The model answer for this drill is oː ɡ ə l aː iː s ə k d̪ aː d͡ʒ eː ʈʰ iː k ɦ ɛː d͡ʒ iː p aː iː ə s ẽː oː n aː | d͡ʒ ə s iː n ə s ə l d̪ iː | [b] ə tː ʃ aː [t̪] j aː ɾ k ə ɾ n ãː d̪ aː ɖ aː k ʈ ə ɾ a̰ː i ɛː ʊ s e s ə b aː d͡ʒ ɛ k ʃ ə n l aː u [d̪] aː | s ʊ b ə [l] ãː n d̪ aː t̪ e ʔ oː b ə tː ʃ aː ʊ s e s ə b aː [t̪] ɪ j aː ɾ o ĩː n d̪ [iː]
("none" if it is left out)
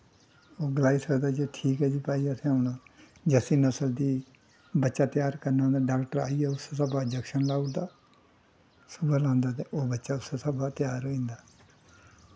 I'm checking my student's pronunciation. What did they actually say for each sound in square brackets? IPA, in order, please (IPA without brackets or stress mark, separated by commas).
b, t̪, d̪, l, t̪, aː